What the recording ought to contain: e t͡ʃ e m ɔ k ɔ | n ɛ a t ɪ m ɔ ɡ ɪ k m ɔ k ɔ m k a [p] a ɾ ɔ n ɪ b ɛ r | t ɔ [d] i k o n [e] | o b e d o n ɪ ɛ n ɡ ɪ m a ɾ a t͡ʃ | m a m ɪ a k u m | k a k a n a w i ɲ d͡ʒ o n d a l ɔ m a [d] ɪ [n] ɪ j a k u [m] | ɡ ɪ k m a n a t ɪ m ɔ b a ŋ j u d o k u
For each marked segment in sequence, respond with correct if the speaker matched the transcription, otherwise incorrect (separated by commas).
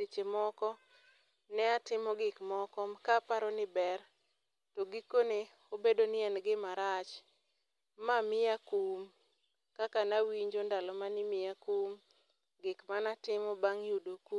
correct, incorrect, correct, incorrect, incorrect, correct